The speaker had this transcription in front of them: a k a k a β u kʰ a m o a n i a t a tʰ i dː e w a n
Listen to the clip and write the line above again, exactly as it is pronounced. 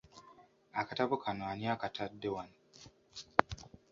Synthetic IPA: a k a t a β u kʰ a n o a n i a k a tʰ a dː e w a n